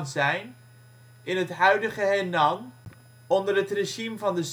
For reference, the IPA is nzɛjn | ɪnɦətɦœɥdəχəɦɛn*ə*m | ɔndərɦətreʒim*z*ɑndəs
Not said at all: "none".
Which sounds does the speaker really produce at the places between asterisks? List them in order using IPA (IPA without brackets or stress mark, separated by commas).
ɑ, v